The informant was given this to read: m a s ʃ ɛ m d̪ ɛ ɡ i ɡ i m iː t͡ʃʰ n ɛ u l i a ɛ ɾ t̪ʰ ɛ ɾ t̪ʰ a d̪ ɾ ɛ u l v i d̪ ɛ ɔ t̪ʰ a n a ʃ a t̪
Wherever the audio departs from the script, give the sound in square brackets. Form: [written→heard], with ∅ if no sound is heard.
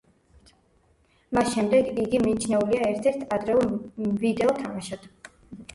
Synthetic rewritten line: m a s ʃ ɛ m d̪ ɛ ɡ i ɡ i m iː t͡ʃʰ n ɛ u l i a ɛ ɾ t̪ʰ ɛ ɾ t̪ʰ a d̪ ɾ ɛ u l v i d̪ ɛ ɔ t̪ʰ a [n→m] a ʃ a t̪